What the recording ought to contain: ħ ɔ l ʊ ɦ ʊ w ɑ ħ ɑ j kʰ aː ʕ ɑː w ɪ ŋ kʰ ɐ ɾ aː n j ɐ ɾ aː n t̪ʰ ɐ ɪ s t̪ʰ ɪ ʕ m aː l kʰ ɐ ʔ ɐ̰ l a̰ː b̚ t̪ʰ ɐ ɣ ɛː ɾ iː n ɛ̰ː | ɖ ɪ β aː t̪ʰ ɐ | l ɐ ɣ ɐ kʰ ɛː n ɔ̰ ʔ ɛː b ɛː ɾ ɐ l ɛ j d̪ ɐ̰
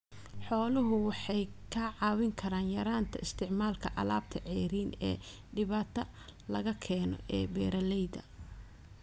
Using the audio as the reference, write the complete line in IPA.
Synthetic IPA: ħ ɔː l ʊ ɦ ʊ w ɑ ħ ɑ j kʰ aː ʕ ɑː w ɪ ŋ kʰ ɐ ɾ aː n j ɐ ɾ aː n t̪ʰ ɐ ɪ s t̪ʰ ɪ ʕ m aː l kʰ ɐ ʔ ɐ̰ l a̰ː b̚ t̪ʰ ɐ ʕ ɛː ɾ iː n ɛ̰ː | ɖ ɪ β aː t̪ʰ ɐ | l ɐ ɣ ɐ kʰ ɛː n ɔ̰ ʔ ɛː b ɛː ɾ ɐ l ɛ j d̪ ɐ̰